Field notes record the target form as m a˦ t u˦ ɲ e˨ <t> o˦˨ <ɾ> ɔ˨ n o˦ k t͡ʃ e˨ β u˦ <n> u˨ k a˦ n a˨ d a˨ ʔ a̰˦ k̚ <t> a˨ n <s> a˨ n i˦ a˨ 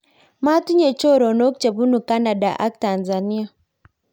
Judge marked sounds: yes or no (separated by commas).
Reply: no, yes, yes, yes, no